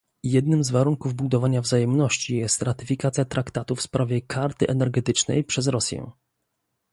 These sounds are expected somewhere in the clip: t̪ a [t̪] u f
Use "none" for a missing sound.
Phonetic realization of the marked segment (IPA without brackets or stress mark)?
t̪